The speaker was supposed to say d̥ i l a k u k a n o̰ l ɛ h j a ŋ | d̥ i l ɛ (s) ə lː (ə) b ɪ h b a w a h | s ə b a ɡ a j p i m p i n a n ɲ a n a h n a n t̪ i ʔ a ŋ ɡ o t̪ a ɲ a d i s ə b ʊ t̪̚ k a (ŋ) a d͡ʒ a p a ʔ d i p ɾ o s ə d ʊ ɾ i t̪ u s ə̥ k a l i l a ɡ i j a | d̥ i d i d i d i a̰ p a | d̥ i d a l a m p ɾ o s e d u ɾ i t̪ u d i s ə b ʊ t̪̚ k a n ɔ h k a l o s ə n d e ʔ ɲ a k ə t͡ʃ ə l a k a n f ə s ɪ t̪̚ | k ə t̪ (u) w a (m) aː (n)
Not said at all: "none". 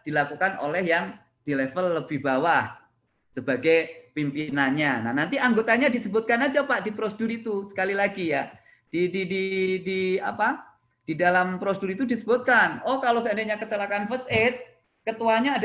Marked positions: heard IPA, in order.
f, ə, n, u, ɲ, d

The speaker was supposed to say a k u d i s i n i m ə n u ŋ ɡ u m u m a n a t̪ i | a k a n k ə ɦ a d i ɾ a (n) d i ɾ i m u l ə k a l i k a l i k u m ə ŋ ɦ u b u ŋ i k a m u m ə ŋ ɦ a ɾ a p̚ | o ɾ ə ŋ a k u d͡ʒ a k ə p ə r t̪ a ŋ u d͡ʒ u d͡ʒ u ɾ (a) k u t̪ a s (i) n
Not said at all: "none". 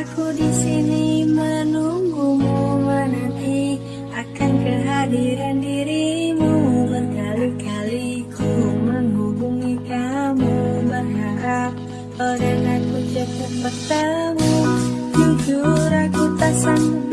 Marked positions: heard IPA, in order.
n, a, a

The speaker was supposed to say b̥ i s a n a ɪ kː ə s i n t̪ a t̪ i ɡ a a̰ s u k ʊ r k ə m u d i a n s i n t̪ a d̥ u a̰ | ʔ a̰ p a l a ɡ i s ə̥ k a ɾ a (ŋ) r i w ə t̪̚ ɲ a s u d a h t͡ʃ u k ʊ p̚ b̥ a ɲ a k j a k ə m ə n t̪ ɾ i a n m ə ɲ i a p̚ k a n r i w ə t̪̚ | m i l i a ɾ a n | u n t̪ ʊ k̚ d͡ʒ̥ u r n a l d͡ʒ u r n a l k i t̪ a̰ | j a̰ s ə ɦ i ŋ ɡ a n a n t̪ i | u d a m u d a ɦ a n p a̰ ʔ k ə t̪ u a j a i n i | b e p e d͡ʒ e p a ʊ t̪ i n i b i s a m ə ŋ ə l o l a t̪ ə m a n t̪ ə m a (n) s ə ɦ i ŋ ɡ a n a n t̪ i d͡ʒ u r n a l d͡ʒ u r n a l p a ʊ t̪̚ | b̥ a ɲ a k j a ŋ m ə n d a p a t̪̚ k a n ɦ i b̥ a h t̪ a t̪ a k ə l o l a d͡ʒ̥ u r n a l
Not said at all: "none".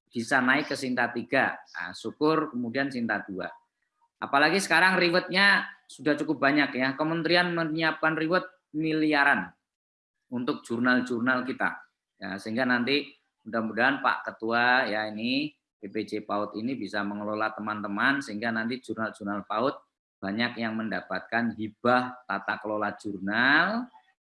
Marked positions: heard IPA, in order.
ŋ, n

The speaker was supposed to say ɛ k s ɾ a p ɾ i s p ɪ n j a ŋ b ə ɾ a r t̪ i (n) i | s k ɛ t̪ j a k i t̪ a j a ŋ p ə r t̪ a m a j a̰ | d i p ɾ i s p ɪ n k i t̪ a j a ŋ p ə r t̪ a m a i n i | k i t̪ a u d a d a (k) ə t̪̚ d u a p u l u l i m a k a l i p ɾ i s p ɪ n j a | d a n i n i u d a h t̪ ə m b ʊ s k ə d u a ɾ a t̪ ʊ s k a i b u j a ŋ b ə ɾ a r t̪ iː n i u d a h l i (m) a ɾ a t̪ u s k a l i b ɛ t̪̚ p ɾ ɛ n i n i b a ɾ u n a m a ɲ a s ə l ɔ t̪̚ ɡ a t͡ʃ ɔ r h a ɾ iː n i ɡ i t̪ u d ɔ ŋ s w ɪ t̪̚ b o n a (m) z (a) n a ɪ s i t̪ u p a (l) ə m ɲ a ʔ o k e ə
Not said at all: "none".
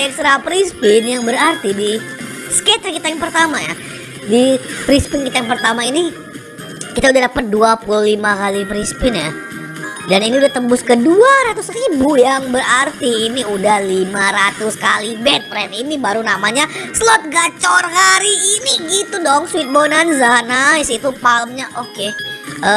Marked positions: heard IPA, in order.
d, p, m, n, a, l

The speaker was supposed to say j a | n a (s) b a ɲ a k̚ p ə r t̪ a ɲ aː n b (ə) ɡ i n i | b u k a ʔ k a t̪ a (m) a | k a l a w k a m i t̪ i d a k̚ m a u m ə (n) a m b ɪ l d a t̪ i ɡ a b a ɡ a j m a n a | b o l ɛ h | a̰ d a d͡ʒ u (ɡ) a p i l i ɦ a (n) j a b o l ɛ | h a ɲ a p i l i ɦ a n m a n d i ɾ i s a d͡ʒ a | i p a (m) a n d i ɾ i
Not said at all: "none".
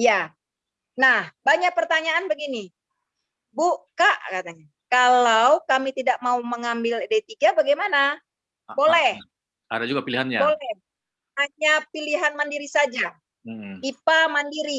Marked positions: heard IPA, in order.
h, ə, ɲ, ŋ, ɡ, n, m

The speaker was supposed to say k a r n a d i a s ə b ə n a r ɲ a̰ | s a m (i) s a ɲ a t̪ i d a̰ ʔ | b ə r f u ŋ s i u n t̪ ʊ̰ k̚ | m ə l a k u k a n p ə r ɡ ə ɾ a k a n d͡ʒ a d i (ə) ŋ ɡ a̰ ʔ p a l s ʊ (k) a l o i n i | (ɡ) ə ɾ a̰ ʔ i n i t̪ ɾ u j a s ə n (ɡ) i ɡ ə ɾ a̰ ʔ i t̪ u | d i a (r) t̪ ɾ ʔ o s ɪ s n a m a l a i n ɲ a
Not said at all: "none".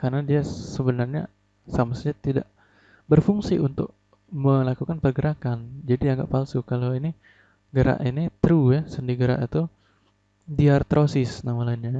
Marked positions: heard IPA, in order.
a, a, k, ɡ, d, r

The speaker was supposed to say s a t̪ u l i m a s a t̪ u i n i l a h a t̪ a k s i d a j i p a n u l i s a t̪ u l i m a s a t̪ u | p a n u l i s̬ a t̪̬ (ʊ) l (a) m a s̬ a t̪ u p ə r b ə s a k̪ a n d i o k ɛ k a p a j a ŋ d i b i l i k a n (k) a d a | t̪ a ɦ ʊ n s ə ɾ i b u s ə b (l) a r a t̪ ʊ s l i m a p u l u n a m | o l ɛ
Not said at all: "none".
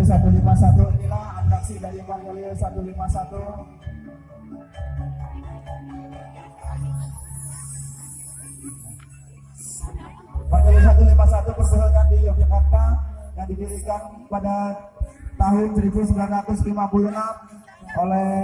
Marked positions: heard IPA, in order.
u, i, p, l

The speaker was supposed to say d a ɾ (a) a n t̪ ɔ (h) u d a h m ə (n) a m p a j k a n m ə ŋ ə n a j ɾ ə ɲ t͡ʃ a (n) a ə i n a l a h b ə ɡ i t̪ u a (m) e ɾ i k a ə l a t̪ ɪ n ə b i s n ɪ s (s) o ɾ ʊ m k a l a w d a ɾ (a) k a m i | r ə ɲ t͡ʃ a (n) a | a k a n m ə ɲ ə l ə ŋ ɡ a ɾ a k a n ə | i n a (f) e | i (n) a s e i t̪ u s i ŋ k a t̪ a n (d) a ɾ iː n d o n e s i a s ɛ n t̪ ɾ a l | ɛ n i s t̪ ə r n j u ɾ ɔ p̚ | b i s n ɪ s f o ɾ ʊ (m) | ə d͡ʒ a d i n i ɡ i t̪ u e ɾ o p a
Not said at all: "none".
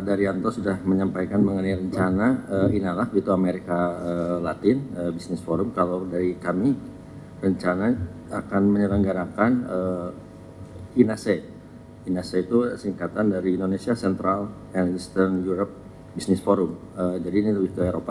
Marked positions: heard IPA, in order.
i, s, ɲ, n, m, f, i, n, s, n, d, m

